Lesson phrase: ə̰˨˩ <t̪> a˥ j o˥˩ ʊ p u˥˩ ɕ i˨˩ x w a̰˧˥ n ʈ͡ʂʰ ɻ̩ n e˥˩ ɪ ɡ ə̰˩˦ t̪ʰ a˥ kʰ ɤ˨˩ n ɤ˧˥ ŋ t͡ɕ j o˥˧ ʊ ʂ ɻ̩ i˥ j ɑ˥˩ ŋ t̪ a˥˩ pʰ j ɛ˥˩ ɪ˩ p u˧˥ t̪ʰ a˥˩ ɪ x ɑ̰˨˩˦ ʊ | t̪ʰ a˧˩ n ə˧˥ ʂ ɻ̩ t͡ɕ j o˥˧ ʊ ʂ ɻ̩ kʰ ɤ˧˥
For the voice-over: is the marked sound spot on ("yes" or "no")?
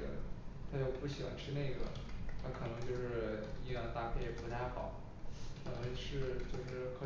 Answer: no